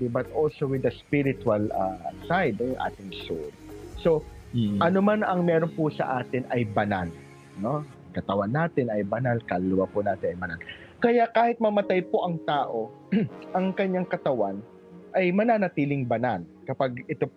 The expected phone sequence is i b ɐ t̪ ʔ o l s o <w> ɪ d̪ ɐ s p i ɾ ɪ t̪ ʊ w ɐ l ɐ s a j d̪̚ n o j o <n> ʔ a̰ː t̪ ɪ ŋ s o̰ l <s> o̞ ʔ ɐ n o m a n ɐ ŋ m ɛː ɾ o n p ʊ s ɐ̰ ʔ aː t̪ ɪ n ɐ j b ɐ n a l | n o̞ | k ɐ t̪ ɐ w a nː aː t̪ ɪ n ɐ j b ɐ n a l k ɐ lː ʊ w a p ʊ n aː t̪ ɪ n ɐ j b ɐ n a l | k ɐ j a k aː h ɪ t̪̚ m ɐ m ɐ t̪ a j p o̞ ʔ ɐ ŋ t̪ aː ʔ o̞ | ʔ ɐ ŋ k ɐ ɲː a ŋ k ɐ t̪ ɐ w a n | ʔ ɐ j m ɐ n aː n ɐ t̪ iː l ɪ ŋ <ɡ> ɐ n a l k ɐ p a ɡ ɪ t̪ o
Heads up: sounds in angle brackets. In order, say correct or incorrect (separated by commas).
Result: correct, incorrect, correct, incorrect